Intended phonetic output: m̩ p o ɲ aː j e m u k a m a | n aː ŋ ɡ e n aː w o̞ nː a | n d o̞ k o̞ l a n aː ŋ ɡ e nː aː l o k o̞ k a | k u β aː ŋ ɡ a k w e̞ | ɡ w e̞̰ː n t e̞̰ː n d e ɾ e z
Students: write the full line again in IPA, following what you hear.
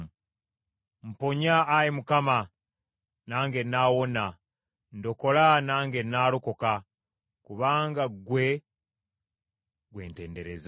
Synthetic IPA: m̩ p o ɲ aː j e m u k a m a | n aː ŋ ɡ e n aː w o̞ n a | n d o̞ k o̞ l a n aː ŋ ɡ e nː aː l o k o̞ k a | k u β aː ŋ ɡ a ɡ w e̞ | ɡ w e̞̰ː n t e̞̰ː n d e ɾ e z